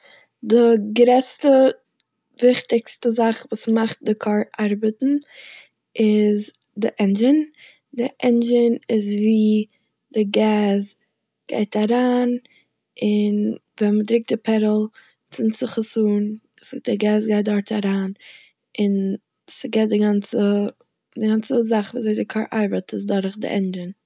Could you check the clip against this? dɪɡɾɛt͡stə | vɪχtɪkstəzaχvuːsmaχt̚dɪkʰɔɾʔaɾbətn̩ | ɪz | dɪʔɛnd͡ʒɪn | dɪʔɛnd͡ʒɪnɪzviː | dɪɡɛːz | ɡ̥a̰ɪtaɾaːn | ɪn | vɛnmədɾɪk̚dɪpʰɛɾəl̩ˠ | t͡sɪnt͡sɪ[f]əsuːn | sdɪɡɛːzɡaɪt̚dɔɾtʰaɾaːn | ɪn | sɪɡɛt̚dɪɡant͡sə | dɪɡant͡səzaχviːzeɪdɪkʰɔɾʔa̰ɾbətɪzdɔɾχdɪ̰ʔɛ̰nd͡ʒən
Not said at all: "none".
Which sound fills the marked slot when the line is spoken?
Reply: χ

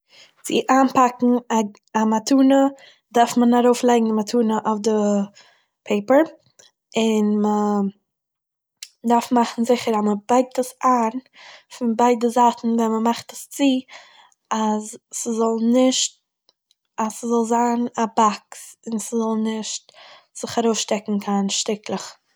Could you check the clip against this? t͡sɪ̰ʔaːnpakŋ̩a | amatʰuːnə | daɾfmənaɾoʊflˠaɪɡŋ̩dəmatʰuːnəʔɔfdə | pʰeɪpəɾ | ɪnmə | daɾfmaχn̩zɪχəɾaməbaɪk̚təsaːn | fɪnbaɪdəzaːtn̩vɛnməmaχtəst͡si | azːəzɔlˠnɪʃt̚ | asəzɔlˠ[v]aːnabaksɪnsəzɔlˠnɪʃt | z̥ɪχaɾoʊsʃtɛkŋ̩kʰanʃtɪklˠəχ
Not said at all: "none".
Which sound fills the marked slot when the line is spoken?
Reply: z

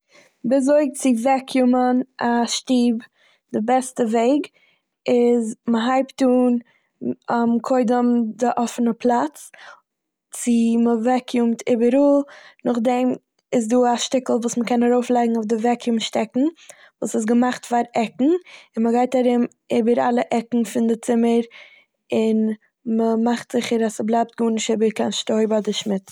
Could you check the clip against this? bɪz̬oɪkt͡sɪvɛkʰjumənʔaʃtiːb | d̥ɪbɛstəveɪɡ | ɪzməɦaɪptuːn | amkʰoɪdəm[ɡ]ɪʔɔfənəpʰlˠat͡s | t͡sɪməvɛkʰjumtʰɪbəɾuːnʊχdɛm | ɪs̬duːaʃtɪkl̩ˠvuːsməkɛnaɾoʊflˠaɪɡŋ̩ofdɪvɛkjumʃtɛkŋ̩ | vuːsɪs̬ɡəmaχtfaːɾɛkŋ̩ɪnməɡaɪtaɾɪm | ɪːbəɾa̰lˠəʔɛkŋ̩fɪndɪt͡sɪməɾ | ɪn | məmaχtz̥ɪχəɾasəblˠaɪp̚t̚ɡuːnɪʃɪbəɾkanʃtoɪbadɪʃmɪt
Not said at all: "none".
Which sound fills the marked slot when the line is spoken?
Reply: d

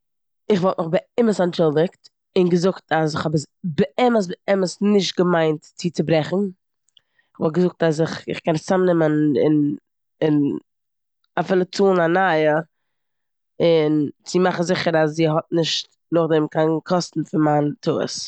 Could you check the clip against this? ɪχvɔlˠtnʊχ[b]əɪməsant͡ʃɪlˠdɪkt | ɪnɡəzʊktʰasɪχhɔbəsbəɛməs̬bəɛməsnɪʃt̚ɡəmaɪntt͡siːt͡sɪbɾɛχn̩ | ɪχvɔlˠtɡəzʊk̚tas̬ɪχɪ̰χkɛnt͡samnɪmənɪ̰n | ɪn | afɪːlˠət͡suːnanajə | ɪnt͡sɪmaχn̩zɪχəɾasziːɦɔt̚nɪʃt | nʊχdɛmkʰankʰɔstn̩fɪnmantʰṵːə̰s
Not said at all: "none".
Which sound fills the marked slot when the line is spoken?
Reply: b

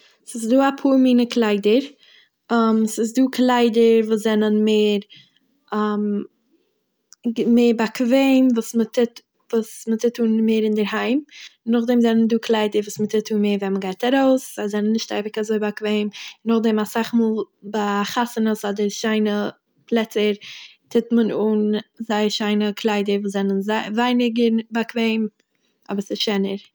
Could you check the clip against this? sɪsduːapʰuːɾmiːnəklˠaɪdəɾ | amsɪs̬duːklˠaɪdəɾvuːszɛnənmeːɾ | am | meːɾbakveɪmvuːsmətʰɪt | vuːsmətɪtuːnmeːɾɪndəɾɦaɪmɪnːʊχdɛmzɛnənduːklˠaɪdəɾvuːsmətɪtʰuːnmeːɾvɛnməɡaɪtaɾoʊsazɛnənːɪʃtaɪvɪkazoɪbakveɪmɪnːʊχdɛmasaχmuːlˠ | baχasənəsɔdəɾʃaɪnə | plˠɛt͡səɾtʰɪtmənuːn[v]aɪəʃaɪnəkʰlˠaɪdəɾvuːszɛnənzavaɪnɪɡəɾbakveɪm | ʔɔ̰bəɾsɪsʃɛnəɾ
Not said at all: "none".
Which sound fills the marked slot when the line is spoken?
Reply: z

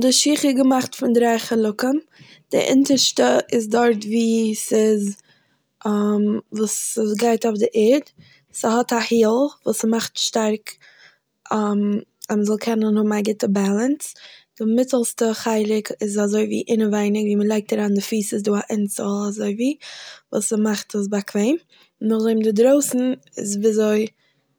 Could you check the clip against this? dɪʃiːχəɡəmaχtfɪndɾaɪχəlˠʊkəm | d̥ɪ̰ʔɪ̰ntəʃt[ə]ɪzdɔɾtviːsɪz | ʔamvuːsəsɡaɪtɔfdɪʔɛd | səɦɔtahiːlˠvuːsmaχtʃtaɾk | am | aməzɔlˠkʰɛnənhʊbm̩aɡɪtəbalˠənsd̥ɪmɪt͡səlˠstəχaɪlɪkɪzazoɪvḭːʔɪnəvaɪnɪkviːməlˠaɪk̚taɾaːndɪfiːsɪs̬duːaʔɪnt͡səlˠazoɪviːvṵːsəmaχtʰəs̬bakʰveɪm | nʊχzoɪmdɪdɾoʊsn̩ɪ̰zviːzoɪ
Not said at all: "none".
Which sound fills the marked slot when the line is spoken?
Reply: ə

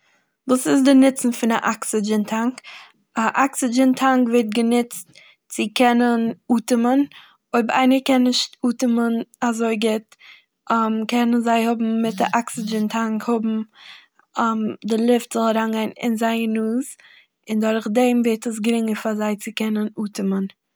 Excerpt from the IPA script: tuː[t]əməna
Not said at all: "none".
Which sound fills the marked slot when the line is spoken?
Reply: t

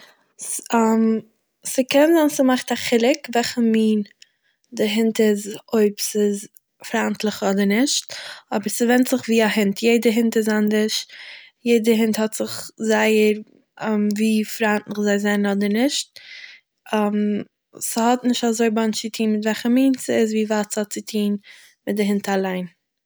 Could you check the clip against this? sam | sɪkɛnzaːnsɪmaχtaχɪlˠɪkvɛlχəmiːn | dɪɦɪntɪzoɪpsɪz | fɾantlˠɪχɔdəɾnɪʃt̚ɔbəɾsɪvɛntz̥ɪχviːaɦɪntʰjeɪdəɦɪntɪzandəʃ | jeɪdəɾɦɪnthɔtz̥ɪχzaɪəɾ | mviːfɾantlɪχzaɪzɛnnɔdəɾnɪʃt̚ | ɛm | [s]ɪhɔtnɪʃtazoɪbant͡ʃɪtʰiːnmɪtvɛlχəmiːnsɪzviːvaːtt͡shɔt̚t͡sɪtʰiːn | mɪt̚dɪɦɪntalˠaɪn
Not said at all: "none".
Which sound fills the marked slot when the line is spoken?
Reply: s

